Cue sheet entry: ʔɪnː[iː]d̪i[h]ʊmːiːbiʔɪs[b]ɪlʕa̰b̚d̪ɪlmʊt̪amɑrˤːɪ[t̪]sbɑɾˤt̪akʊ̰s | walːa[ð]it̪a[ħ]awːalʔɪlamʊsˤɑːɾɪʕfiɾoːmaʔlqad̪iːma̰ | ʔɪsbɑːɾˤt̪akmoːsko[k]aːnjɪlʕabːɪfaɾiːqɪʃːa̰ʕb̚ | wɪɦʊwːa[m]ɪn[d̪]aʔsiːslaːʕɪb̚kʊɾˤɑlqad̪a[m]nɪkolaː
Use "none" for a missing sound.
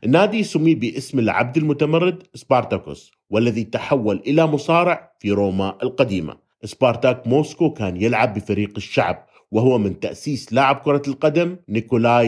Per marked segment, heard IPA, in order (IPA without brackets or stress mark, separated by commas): aː, s, m, d̪, ð, ħ, k, m, t̪, m